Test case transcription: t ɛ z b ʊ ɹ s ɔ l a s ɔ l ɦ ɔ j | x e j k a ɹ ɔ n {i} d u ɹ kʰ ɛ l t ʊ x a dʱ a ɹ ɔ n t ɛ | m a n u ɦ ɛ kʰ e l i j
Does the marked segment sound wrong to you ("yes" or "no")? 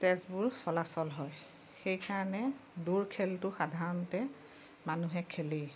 yes